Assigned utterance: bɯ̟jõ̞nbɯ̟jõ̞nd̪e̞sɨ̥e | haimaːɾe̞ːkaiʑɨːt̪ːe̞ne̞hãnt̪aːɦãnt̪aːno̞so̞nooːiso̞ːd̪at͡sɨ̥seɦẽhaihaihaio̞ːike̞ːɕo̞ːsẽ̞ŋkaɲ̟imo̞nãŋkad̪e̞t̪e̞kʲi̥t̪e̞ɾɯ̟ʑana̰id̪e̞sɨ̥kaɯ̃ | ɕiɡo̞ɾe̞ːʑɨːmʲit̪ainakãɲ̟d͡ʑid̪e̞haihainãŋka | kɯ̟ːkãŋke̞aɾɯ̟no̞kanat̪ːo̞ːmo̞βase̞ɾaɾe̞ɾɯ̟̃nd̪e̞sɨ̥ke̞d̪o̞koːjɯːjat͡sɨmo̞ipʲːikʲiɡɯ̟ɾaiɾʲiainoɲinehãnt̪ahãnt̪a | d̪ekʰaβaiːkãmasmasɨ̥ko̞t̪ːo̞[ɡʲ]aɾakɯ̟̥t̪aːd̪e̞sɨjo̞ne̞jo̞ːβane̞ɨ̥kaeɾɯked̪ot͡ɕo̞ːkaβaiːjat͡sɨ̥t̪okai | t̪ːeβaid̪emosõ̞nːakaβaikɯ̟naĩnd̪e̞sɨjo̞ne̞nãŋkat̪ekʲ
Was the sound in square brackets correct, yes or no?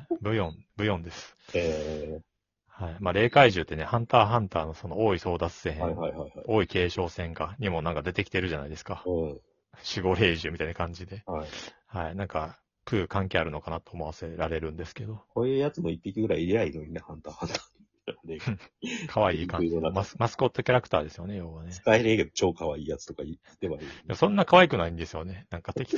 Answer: no